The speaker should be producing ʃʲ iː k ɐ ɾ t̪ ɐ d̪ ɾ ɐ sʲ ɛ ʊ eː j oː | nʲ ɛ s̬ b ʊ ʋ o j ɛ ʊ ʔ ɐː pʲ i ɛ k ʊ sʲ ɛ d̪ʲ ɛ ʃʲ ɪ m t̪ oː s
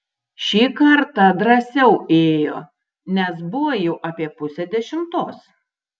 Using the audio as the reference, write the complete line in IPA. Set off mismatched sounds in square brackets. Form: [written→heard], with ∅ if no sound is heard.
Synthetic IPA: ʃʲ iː k ɐ ɾ t̪ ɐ d̪ ɾ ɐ sʲ ɛ ʊ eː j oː | nʲ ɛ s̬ b ʊ ʋ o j ɛ ʊ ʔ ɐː pʲ i ɛ [k→p] ʊ sʲ ɛ d̪ʲ ɛ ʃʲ ɪ m t̪ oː s